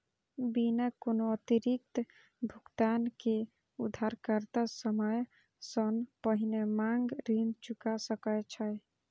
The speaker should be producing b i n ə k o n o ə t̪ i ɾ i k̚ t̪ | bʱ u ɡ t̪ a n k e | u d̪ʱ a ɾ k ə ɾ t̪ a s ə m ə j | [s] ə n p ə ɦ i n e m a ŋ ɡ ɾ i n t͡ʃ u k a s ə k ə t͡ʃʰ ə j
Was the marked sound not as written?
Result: no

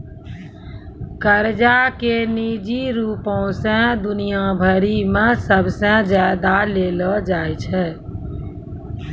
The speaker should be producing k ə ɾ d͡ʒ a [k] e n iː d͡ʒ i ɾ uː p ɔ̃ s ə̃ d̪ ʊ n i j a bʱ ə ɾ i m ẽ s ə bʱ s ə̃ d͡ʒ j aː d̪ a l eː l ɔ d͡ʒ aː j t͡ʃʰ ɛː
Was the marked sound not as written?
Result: no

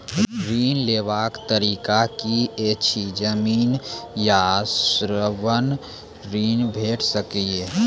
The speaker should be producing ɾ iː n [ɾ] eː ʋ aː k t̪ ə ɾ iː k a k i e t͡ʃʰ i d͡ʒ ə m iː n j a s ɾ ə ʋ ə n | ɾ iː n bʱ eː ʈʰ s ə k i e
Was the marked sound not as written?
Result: yes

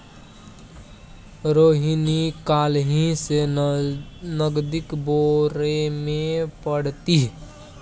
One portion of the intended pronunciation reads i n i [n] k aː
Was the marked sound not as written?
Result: yes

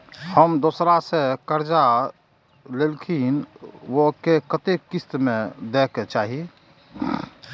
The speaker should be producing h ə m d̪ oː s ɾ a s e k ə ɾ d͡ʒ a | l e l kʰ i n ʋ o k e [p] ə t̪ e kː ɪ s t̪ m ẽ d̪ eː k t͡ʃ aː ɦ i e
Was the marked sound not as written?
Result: yes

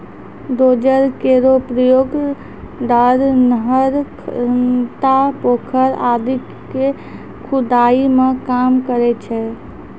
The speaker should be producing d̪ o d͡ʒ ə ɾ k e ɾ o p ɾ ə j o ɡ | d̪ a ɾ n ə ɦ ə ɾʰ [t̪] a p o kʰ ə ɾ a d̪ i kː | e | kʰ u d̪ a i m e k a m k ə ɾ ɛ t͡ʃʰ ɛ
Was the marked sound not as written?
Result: no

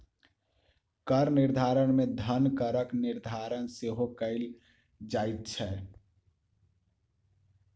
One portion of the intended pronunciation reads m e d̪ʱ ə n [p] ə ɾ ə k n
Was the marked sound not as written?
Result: yes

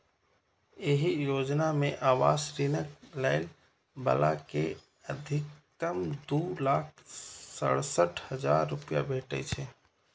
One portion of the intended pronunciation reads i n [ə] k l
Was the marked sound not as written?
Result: no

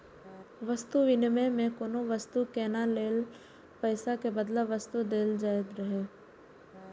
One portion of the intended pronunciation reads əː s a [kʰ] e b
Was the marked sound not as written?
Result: yes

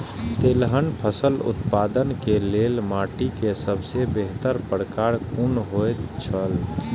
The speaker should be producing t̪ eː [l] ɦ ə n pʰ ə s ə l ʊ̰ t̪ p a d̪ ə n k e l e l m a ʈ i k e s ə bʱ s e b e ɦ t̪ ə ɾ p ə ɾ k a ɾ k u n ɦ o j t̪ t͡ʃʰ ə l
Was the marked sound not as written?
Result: no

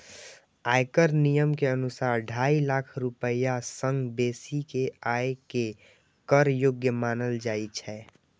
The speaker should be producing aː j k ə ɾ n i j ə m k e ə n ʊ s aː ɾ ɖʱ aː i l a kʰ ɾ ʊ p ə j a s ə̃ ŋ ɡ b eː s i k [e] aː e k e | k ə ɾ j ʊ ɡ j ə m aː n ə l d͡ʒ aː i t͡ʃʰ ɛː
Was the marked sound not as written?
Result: no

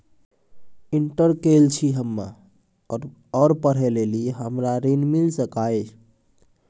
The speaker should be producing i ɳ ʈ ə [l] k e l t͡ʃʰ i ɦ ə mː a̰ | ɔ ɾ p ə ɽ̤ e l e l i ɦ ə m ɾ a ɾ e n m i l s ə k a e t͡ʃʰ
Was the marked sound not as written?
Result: yes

